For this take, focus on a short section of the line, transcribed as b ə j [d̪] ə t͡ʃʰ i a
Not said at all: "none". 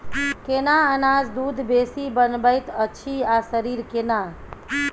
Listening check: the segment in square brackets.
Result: t̪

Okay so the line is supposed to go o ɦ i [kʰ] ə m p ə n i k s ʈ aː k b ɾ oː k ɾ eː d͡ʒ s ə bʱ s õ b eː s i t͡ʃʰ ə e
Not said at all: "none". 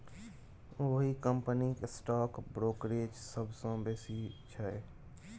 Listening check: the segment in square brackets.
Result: k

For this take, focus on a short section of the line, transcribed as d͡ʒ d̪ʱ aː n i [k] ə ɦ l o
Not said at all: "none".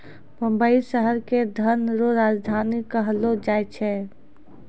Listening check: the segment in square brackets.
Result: k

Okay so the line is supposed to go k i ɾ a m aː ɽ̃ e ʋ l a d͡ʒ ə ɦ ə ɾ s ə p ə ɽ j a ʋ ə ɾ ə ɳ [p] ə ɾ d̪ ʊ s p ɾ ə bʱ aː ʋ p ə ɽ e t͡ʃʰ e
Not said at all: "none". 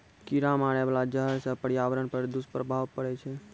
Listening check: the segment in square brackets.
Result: p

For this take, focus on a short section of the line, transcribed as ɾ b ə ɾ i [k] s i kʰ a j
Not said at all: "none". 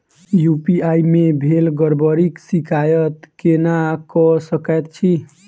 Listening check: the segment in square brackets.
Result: k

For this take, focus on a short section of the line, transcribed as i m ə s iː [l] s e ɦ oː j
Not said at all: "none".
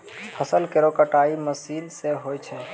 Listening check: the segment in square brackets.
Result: l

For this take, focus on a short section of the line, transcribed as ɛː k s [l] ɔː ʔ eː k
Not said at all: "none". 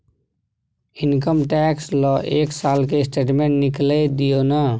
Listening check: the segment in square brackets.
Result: l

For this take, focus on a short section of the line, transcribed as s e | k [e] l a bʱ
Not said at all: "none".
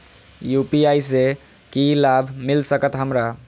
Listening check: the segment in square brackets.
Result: i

